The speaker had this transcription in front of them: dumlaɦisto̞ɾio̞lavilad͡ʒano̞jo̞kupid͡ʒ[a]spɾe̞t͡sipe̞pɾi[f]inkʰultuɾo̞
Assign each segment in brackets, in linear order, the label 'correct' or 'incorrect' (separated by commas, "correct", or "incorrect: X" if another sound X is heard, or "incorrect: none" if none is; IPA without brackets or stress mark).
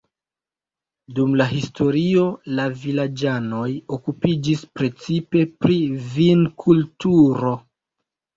incorrect: i, incorrect: v